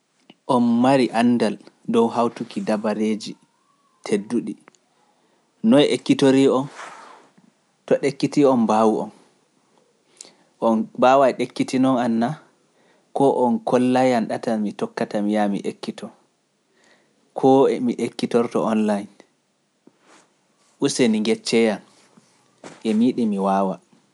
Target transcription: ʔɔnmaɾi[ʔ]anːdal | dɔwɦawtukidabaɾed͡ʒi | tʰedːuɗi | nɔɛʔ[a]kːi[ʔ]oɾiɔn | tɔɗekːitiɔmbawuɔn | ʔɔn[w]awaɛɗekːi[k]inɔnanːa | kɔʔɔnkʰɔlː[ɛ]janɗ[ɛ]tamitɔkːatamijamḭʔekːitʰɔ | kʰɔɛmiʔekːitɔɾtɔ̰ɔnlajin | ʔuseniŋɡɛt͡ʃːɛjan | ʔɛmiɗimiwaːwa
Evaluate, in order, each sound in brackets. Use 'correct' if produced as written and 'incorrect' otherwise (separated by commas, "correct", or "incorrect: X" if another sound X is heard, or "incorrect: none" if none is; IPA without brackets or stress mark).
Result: correct, incorrect: e, incorrect: t, incorrect: b, incorrect: t, incorrect: a, incorrect: a